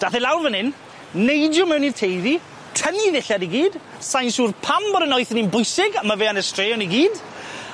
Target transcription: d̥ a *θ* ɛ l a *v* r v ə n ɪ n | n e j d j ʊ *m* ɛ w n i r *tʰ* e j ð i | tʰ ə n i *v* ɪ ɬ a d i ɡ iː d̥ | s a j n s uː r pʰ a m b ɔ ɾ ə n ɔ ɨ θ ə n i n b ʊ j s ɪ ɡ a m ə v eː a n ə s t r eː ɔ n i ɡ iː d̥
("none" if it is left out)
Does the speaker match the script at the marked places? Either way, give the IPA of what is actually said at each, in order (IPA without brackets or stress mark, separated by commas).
θ, w, m, tʰ, ð